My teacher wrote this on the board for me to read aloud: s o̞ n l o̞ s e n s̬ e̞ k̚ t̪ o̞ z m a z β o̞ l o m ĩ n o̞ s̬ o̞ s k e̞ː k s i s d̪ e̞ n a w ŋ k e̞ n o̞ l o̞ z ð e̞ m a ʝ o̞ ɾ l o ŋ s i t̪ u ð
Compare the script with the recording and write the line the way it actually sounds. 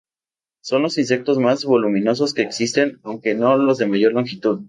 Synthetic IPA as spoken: s o̞ n l o̞ s i n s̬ e̞ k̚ t̪ o̞ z m a z β o̞ l u m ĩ n o̞ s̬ o̞ s k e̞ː k s i s t̪ e̞ n a w ŋ k e̞ n o̞ l o̞ z ð e̞ m a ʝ o̞ ɾ l o ŋ x i t̪ u ð